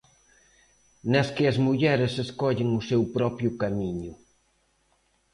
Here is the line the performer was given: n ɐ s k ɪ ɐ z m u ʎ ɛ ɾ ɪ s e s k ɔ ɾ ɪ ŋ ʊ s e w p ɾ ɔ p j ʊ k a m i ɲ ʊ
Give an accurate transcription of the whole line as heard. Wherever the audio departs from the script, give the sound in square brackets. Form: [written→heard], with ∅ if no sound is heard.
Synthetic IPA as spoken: n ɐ s k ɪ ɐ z m u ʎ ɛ ɾ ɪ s e s k ɔ [ɾ→ʎ] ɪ ŋ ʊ s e w p ɾ ɔ p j ʊ k a m i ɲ ʊ